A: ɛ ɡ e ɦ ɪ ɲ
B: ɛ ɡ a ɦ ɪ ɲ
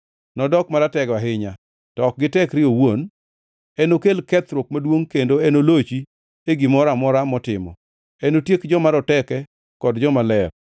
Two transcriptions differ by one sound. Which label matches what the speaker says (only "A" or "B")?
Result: B